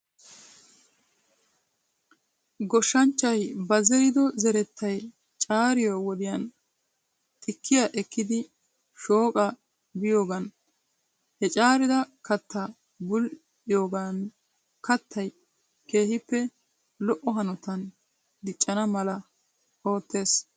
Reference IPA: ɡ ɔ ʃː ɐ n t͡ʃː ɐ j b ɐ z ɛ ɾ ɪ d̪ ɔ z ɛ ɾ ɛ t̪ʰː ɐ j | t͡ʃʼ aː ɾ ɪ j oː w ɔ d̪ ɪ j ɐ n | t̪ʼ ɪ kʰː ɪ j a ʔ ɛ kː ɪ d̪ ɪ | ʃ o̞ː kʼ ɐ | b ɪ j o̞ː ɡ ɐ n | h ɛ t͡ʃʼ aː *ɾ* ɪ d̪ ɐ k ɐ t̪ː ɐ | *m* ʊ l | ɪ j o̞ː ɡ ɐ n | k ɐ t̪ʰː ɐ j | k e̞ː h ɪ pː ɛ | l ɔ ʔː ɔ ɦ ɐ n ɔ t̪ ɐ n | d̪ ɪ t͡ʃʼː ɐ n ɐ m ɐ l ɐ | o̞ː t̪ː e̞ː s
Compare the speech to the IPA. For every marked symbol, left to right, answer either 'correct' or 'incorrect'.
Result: correct, incorrect: b

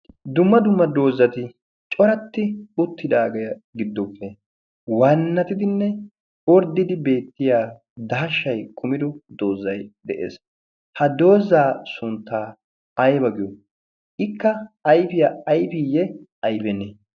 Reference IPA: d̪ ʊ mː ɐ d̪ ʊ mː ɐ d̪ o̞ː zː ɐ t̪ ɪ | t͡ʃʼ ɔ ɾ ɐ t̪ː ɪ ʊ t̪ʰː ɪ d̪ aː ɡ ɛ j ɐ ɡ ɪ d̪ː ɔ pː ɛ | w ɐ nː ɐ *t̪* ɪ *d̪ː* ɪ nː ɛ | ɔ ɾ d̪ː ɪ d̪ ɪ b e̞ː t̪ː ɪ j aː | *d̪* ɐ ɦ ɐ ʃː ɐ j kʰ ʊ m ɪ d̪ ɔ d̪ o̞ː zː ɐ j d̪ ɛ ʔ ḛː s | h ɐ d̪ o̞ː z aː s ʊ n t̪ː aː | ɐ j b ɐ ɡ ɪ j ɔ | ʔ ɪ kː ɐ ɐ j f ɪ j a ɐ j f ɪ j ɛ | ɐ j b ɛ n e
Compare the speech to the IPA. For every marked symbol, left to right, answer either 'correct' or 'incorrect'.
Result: correct, incorrect: d̪, correct

